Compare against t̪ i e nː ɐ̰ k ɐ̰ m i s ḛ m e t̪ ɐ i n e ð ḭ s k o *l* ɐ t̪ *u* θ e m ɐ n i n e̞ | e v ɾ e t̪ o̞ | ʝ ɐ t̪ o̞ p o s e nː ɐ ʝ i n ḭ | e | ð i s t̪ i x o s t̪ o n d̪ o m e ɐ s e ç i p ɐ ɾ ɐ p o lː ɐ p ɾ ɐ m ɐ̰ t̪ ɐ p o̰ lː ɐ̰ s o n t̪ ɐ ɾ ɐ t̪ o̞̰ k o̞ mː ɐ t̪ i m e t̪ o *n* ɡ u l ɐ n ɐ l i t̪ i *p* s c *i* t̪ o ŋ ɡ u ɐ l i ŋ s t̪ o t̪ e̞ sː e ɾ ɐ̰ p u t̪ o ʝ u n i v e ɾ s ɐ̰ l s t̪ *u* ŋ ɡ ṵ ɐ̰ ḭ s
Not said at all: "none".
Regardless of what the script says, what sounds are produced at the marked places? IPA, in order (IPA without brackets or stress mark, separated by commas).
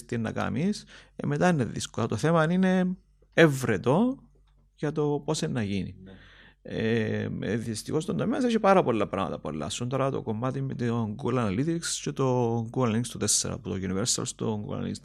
l, o, ŋ, k, e, o